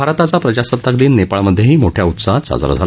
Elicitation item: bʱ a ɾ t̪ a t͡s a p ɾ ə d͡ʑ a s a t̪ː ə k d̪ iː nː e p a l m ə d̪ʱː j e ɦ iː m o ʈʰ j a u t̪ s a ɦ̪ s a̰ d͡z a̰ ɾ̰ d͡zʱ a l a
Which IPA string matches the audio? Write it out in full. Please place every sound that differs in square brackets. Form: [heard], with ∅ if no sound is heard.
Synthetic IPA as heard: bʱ a ɾ t̪ a t͡s a p ɾ ə d͡ʑ a s [ə] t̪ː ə k d̪ iː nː e p a [ɭ] m ə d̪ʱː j e ɦ iː m o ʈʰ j a u t̪ s a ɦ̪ s a̰ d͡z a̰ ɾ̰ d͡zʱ a l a